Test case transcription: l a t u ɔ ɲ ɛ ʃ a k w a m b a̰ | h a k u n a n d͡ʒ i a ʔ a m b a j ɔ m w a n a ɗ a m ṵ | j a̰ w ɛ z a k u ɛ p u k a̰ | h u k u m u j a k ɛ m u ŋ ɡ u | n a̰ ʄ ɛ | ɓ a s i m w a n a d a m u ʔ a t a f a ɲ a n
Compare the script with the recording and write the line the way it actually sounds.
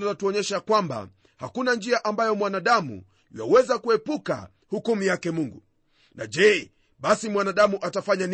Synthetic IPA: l a t u ɔ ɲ ɛ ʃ a k w a m b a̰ | h a k u n a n d͡ʒ i a ʔ a m b a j ɔ m w a n a ɗ a m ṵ | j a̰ w ɛ z a k u ɛ p u k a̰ | h u k u m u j a k ɛ m u ŋ ɡ u | n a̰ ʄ ɛ | ɓ a s i m w a n a ɗ a m u ʔ a t a f a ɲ a n